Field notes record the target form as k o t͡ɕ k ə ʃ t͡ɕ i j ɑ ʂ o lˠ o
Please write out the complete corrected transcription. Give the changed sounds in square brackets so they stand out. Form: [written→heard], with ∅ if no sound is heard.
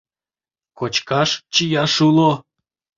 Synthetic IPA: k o t͡ɕ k [ə→ɑ] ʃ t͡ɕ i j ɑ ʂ [o→u] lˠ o

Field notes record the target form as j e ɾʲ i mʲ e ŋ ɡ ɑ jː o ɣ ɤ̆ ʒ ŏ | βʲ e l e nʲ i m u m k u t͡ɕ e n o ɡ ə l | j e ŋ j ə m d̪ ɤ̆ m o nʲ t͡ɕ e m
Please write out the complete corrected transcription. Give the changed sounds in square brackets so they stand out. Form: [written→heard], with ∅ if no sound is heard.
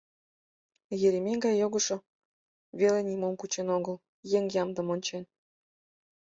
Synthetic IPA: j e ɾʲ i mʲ e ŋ ɡ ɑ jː o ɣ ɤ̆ [ʒ→ʃ] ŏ | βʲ e l e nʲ i m [u→o] m k u t͡ɕ e n o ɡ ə l | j e ŋ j [ə→ɑ] m d̪ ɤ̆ m o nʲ t͡ɕ e [m→n]

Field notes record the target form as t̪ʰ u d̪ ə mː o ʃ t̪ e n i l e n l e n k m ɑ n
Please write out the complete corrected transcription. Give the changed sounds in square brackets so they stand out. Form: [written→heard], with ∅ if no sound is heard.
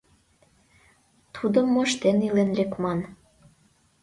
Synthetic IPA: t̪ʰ u d̪ ə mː o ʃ t̪ e n i l e n l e [n→∅] k m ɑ n

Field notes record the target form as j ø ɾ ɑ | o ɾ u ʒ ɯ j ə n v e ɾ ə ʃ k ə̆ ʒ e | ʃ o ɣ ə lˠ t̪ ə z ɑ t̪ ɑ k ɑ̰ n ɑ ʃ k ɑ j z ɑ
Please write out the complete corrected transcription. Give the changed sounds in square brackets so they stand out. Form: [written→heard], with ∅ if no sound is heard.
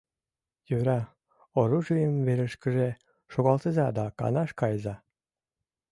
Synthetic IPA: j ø ɾ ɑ | o ɾ u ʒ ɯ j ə [n→m] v e ɾ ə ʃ k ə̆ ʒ e | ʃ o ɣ [ə→ɑ] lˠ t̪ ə z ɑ [t̪→d̪] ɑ k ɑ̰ n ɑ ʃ k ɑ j z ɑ

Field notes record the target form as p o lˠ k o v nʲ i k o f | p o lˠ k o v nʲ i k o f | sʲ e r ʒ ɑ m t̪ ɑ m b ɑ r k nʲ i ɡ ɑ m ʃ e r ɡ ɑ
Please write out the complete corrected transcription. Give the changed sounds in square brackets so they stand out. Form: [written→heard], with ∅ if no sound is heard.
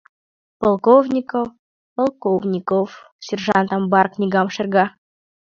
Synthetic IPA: p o lˠ k o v nʲ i k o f | p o lˠ k o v nʲ i k o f | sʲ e r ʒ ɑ [m→n] t̪ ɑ m b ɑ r k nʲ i ɡ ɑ m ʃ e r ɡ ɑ

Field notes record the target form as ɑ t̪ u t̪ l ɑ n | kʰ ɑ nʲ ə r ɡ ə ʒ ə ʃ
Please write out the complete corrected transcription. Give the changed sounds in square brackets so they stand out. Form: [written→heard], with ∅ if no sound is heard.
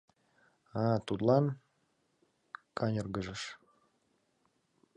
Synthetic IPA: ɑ t̪ u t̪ l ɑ n | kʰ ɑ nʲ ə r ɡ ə ʒ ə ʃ

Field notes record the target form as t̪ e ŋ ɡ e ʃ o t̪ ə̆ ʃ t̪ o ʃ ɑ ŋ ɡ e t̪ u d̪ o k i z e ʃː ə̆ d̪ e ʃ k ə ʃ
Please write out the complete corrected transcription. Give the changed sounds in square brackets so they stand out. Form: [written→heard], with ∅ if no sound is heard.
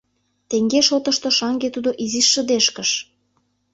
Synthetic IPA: t̪ e ŋ ɡ e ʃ o t̪ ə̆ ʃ t̪ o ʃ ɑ ŋ ɡ e t̪ u d̪ o [k→ʔ] i z [e→i] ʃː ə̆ d̪ e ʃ k ə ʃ

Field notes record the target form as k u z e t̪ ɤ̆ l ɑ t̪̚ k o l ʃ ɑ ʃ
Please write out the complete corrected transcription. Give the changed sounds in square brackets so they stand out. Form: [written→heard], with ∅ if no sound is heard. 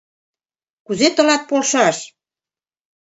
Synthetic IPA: k u z e t̪ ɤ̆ l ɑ t̪̚ [k→p] o l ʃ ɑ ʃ

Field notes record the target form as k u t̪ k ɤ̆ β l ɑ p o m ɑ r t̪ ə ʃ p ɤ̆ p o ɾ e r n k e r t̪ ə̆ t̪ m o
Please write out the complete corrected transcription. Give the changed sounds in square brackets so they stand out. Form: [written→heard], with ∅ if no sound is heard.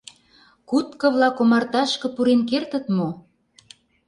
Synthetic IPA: k u t̪ k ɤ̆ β l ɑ [p→k] o m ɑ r t̪ [ə→ɑ] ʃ [p→k] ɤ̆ p [o→u] ɾ e [r→∅] n k e r t̪ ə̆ t̪ m o

